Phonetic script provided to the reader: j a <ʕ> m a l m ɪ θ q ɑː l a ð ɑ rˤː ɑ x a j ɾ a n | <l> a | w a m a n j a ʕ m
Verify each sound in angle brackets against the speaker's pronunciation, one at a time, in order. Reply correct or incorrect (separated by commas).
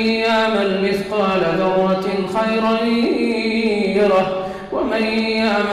correct, incorrect